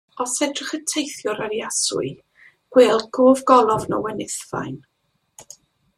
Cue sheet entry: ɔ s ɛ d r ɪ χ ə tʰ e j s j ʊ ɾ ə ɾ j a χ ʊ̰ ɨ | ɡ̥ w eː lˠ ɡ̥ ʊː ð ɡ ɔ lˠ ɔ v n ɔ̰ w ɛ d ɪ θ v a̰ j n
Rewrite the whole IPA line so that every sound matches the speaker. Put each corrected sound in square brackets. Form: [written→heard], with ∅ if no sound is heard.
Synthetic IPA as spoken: ɔ s ɛ d r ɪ χ ə tʰ e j [s→θ] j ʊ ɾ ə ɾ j a [χ→s] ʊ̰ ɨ | ɡ̥ w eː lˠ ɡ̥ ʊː [ð→v] ɡ ɔ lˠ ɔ v n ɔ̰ w ɛ [d→n] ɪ θ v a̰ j n